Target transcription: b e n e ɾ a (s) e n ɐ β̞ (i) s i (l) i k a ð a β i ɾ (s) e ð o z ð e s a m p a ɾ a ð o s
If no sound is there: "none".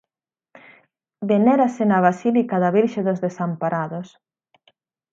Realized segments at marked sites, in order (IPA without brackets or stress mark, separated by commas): s, a, l, ʃ